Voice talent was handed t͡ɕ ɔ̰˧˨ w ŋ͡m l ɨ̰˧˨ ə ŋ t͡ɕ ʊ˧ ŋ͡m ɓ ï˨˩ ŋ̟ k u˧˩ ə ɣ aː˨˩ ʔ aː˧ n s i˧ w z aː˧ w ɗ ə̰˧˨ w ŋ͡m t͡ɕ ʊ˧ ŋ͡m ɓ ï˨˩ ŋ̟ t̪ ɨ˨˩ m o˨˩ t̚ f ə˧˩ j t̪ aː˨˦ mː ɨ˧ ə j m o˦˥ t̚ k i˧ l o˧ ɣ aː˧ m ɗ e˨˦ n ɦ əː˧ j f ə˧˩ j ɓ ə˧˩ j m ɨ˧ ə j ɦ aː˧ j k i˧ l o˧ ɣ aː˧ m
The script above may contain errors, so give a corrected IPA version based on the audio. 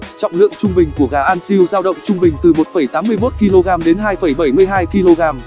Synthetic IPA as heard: t͡ɕ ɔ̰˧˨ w ŋ͡m l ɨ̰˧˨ ə ŋ t͡ɕ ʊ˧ ŋ͡m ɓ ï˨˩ ŋ̟ k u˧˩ ə ɣ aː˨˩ ʔ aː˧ n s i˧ w z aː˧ w ɗ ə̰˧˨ w ŋ͡m t͡ɕ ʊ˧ ŋ͡m ɓ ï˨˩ ŋ̟ t̪ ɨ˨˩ m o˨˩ t̚ f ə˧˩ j t̪ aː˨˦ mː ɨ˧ ə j m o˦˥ t̚ k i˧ l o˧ ɣ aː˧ m ɗ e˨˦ n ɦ aː˧ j f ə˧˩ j ɓ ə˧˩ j m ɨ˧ ə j ɦ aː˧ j k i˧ l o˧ ɣ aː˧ m